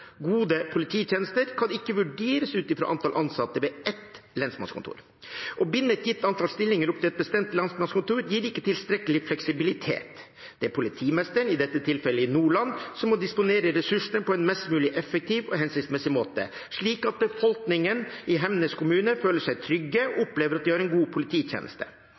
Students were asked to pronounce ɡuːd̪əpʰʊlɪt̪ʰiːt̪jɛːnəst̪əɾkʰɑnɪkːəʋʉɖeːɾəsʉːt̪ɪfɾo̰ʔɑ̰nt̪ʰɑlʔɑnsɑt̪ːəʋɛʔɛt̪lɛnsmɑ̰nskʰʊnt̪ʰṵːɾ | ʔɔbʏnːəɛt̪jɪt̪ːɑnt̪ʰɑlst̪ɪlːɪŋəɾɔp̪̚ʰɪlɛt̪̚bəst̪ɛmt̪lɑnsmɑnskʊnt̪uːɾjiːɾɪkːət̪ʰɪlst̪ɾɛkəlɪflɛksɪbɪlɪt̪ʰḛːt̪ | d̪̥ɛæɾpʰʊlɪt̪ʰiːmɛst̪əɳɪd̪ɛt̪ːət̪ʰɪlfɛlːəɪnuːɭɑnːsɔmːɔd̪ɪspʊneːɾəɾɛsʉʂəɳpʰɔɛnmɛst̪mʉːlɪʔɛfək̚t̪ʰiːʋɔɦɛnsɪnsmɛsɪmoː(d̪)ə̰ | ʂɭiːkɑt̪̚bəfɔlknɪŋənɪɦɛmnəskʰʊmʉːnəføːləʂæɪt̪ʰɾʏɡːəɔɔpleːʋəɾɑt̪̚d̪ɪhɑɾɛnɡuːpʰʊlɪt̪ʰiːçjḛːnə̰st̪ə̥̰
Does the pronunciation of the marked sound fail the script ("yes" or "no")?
yes